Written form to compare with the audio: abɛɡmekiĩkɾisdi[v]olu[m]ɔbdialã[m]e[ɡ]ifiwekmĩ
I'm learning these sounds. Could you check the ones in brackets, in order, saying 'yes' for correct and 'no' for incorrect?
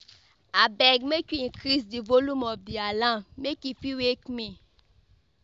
yes, yes, yes, no

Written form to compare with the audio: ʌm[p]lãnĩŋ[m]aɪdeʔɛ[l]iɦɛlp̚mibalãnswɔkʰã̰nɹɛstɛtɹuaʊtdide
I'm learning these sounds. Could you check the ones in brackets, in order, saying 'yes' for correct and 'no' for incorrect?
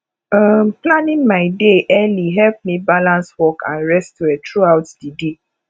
yes, yes, yes

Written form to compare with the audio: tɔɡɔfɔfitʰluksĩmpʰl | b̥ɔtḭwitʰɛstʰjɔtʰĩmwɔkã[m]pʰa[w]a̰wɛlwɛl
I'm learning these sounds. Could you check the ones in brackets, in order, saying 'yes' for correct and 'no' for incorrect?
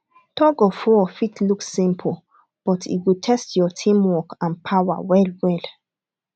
no, yes

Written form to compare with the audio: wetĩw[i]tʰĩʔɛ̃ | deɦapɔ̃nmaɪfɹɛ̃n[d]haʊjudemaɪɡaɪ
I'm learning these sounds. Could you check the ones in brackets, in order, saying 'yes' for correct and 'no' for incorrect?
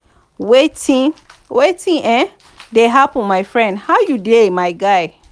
no, yes

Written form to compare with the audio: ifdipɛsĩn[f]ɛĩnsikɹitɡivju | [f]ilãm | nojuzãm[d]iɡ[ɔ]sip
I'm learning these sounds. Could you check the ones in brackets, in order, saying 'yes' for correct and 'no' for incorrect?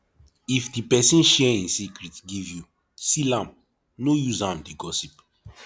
no, no, yes, yes

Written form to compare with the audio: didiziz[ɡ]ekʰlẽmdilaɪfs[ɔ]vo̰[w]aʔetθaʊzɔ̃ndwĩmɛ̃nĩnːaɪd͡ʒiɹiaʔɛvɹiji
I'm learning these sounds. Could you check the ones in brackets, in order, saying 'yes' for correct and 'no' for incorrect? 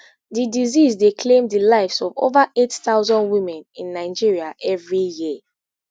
no, yes, no

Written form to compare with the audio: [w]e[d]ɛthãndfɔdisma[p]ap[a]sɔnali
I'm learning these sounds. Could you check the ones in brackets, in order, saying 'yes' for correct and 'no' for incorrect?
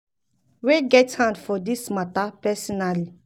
yes, no, no, no

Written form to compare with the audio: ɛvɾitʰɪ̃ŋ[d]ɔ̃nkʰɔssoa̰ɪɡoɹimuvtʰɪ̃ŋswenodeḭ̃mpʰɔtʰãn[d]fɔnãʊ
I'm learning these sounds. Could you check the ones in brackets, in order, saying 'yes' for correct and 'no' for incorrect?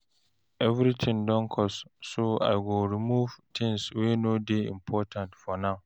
yes, no

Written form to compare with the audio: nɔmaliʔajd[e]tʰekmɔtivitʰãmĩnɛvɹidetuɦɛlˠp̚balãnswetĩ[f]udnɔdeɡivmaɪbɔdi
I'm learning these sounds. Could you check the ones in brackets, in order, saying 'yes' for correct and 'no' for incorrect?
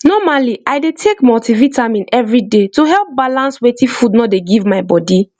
yes, yes

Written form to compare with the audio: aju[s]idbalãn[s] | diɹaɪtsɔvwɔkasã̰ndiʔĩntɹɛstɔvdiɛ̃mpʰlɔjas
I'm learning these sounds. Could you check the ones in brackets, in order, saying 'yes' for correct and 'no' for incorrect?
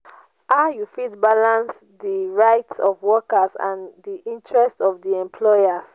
no, yes

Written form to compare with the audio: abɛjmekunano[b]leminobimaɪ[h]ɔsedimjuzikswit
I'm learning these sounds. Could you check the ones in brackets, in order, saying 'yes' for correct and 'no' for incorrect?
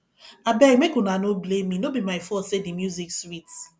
yes, no

